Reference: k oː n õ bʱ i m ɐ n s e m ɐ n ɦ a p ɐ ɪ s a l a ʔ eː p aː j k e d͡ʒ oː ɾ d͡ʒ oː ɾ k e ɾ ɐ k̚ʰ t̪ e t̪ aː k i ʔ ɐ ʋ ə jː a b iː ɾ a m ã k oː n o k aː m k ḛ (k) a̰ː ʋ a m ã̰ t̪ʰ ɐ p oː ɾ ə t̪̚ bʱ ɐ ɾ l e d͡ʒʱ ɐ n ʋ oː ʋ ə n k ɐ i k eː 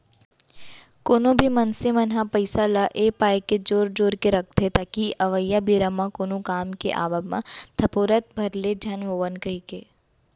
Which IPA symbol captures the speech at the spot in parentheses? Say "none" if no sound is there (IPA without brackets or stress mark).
ʔ